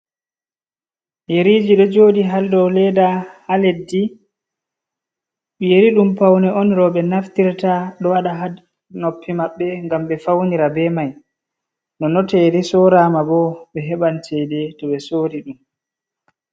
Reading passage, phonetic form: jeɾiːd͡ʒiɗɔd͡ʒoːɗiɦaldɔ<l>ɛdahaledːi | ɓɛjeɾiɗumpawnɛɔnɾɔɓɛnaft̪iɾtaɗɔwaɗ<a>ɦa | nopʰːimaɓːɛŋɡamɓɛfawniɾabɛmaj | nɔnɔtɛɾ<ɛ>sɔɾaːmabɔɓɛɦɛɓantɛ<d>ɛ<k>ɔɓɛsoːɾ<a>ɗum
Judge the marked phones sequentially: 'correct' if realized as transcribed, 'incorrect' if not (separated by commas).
correct, correct, incorrect, correct, incorrect, incorrect